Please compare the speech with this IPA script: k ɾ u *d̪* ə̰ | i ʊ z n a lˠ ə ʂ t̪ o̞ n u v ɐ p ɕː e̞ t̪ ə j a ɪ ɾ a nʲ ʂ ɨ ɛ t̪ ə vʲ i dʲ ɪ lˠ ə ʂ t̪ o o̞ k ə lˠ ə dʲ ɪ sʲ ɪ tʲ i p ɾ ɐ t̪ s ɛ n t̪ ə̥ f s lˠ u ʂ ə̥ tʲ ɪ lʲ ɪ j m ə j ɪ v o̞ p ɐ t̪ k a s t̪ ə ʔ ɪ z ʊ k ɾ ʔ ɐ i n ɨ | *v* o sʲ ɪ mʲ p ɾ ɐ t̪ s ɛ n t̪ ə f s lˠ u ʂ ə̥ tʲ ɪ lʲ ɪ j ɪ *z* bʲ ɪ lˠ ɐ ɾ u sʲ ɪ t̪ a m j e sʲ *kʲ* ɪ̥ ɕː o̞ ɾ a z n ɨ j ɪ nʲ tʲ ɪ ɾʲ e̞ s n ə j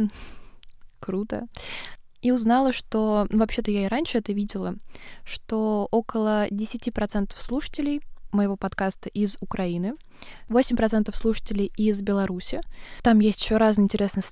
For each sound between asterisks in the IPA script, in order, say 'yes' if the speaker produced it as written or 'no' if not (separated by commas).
no, yes, yes, no